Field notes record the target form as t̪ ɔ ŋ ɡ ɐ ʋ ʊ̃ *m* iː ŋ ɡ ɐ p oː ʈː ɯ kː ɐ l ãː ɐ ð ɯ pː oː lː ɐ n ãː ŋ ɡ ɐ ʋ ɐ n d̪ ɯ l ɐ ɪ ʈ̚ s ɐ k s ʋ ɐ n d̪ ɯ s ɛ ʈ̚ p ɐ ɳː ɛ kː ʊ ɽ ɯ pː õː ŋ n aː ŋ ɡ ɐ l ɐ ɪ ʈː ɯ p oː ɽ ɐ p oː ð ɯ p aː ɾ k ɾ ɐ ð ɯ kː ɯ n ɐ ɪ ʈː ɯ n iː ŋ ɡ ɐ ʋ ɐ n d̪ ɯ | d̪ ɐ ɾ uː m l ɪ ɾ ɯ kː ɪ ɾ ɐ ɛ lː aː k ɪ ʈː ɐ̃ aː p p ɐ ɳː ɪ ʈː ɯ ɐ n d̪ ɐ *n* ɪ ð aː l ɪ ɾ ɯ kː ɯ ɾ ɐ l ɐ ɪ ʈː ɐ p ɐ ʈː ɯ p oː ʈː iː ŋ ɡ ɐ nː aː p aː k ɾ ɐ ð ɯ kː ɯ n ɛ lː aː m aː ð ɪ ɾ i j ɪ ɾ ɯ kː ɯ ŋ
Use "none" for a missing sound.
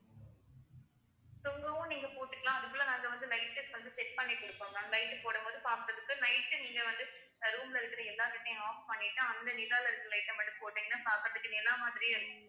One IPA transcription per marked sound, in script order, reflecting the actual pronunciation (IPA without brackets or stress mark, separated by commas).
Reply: n, n